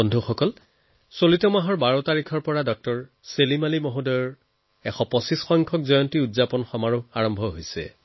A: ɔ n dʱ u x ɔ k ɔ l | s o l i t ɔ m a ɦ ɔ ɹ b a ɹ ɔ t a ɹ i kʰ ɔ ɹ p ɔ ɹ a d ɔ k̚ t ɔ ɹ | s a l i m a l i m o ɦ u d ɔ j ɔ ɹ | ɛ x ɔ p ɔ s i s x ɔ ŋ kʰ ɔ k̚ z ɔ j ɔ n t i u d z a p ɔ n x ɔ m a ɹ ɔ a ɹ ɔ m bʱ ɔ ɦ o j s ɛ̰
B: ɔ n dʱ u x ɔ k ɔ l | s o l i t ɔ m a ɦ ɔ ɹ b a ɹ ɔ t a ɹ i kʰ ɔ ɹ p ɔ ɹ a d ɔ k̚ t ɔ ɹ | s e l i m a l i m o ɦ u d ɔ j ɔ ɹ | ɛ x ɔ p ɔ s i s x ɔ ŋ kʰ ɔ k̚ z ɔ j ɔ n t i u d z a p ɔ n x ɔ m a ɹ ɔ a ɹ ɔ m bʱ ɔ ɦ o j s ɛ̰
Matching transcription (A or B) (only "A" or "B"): B